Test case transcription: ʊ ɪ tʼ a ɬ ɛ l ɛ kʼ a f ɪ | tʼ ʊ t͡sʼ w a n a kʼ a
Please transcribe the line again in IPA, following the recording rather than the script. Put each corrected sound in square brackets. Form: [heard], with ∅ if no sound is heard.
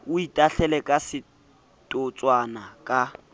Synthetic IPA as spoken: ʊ [i] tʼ a ɬ ɛ l ɛ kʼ a [s] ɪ | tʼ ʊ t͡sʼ w a n a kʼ a